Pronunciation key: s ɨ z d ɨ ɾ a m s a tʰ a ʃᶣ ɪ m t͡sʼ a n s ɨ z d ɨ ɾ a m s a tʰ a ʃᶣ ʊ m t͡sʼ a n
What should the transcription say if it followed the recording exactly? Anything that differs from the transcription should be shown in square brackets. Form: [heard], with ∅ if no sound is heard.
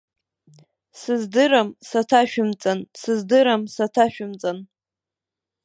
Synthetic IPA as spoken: s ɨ z d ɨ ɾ a m s a tʰ a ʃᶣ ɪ m t͡sʼ a n s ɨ z d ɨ ɾ a m s a tʰ a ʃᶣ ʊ m t͡sʼ a n